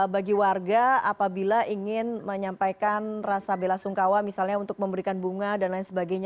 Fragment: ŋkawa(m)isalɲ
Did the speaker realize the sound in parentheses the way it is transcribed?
yes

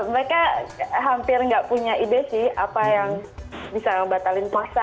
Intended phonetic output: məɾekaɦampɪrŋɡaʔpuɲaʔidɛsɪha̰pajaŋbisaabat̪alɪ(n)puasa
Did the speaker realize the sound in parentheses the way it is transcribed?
yes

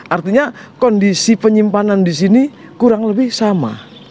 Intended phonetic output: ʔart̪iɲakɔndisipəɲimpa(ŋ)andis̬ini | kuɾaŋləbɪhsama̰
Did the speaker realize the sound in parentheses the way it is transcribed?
no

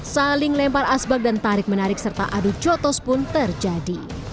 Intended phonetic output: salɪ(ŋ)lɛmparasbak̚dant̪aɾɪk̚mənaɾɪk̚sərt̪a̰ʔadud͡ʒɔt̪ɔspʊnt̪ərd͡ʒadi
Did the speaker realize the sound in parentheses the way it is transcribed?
yes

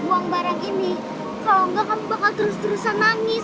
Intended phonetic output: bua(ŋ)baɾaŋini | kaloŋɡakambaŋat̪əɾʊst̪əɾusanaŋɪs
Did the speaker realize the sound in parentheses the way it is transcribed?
yes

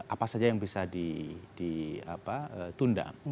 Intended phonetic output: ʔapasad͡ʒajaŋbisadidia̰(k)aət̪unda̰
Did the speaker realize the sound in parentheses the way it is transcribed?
no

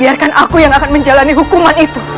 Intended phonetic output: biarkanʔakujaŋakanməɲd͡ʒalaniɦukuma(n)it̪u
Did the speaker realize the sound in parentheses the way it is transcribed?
yes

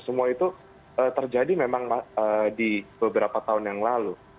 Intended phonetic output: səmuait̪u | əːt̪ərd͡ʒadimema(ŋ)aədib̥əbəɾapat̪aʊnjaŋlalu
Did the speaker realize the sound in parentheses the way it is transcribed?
yes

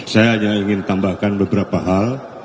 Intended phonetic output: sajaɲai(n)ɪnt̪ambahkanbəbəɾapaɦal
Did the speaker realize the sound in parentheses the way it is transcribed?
no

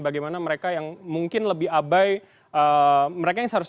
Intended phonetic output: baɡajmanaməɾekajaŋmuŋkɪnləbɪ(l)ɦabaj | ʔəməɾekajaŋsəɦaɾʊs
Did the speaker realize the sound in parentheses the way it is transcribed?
no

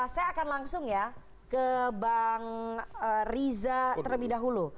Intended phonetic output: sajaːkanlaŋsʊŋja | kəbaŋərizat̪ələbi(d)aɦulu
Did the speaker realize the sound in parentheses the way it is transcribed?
yes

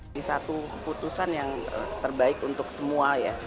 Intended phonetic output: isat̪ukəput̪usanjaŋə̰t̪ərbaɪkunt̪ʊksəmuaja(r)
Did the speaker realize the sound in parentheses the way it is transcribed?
no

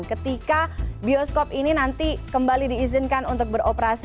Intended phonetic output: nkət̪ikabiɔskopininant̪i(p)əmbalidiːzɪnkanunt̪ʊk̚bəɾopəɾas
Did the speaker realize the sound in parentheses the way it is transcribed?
no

